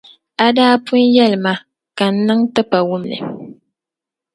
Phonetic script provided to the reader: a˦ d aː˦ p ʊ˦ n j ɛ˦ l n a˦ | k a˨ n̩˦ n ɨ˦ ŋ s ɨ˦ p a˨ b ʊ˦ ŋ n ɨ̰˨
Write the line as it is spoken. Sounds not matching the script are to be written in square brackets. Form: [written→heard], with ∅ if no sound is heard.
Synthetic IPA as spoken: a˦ d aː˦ p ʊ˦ n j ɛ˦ l [n→m] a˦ | k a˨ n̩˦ n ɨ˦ ŋ [s→t] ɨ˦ p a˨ [b→w] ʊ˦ [ŋ→m] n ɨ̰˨